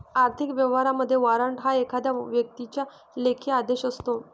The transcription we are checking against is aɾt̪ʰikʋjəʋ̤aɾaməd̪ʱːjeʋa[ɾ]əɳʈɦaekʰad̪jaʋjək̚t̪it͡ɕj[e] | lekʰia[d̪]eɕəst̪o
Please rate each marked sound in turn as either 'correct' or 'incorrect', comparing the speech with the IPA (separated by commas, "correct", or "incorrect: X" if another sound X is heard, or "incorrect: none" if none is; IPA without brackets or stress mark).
correct, incorrect: a, correct